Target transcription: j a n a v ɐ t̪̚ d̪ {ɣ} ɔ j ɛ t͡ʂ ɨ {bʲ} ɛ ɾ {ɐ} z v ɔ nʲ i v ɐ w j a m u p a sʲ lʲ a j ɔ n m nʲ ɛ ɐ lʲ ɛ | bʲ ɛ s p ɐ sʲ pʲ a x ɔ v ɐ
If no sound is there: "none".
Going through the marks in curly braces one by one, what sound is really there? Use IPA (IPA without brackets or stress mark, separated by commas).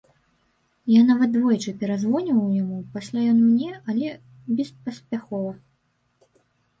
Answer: v, pʲ, a